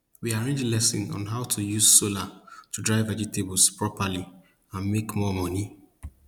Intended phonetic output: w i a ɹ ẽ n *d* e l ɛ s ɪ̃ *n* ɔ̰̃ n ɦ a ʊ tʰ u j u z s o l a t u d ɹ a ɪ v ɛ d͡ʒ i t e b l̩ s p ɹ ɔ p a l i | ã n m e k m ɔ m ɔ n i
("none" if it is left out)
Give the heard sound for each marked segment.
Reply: d͡ʒ, n

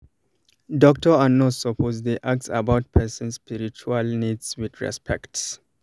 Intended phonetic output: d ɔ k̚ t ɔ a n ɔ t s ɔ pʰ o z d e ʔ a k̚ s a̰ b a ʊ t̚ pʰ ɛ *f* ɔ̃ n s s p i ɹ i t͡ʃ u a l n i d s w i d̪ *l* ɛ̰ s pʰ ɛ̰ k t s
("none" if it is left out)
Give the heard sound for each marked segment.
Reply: s, ɹ

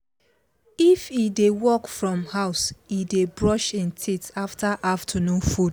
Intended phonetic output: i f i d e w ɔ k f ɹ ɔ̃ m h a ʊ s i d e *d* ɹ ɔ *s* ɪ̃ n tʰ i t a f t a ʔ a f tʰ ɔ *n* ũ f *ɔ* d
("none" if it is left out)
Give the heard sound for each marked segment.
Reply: b, ʃ, n, u

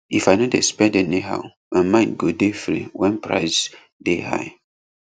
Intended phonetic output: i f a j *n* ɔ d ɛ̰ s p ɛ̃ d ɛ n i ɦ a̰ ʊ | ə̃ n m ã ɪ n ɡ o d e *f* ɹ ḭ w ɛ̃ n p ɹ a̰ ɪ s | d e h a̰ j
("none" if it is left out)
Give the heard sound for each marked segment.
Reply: n, f

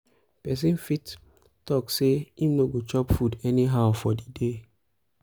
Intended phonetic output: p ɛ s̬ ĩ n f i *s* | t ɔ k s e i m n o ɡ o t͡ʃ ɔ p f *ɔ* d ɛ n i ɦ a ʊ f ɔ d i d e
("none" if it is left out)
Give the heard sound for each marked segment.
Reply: t, u

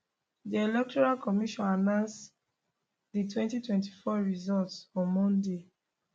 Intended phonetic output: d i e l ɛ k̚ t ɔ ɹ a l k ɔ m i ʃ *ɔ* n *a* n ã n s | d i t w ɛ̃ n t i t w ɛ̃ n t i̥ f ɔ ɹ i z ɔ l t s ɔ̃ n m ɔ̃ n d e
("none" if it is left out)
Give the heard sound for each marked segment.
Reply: ɔ̃, a

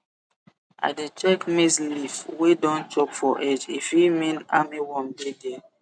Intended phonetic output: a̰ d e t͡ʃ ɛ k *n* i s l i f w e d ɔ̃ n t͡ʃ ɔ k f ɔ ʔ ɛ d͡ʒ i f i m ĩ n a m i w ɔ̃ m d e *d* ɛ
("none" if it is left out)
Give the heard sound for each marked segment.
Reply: m, d

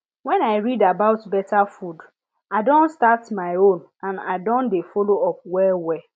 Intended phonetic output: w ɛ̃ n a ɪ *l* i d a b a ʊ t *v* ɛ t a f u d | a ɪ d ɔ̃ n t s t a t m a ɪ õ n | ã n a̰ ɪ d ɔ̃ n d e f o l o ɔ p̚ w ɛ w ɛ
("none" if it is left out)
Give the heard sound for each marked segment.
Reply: ɹ, b

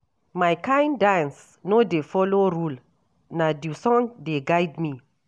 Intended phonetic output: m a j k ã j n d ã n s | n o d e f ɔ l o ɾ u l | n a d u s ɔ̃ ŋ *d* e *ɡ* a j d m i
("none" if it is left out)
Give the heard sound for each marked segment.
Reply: d, ɡ

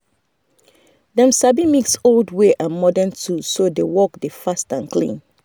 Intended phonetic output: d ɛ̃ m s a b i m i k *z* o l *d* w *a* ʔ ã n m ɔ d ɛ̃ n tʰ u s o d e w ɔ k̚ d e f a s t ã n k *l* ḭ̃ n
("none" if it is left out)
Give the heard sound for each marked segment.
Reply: s, d, e, l

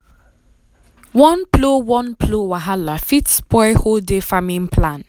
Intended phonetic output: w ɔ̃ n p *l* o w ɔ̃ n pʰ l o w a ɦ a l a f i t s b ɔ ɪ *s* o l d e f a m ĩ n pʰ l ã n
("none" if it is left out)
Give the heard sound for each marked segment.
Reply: l, h

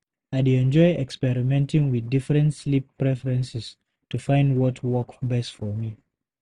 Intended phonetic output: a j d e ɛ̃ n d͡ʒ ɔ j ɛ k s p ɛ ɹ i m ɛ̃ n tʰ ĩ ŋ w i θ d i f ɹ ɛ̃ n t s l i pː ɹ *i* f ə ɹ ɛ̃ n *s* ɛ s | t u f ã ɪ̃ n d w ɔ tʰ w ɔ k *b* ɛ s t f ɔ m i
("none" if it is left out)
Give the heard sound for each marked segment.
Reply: ɛ, s, b

